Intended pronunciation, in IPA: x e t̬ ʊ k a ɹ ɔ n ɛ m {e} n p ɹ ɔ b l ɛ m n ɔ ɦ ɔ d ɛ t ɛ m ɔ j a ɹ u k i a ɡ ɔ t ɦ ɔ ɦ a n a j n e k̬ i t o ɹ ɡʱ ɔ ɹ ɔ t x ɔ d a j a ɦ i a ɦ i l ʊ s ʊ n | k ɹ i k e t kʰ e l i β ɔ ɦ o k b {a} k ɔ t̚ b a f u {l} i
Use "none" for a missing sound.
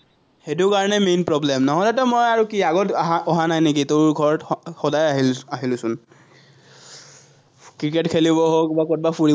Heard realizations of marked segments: e, a, ɹ

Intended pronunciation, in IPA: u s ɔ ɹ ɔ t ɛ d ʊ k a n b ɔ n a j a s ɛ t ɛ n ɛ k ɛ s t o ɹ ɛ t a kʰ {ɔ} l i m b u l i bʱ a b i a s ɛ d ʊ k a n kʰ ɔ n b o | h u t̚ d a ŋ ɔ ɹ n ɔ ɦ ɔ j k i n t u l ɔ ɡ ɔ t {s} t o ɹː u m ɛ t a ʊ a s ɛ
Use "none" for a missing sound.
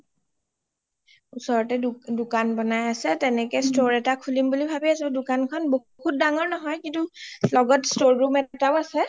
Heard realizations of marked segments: u, s

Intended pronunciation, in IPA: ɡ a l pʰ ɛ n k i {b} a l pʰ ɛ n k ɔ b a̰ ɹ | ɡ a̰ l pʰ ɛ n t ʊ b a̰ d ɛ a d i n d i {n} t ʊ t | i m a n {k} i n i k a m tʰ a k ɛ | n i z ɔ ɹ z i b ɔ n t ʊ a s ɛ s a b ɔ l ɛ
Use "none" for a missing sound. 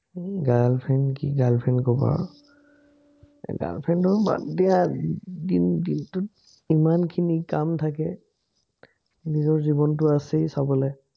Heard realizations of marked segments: ɡ, n, kʰ

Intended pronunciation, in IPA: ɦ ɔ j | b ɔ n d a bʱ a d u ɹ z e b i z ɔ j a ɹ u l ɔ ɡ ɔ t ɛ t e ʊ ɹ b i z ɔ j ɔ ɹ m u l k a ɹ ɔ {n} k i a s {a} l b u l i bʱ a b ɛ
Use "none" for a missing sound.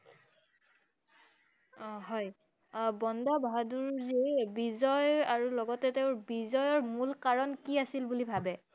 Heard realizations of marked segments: n, i

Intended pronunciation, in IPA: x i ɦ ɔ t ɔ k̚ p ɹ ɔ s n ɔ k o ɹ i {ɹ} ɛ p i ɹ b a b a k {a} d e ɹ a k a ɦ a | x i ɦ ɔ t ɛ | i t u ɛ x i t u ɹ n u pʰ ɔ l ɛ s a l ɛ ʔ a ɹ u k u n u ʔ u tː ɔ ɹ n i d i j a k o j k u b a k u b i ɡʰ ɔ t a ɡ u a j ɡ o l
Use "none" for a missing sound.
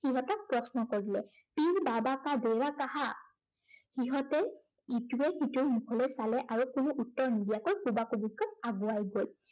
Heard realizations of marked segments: l, a

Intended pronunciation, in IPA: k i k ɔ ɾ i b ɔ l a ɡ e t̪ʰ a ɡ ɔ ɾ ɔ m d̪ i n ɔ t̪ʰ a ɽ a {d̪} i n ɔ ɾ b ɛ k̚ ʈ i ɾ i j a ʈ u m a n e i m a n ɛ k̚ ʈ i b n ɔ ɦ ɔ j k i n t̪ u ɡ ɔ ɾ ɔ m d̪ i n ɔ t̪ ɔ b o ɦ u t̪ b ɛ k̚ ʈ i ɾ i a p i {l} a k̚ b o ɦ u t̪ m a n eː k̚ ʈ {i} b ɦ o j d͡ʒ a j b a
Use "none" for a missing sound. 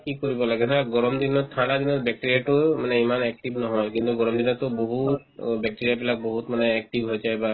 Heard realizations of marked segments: d̪, l, i

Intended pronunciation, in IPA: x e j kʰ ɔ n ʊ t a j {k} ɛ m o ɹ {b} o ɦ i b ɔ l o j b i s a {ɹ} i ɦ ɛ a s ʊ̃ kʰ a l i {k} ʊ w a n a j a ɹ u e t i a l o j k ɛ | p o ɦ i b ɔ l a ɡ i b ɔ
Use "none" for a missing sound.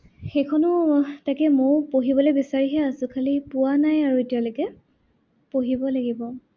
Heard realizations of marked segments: k, p, ɹ, p

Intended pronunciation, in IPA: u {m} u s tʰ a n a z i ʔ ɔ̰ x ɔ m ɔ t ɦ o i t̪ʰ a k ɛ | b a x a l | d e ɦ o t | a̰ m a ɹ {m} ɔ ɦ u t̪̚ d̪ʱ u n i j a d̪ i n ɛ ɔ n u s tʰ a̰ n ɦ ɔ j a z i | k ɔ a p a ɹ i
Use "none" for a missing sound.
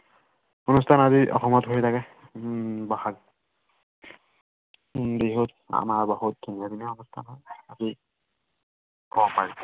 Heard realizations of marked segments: n, b

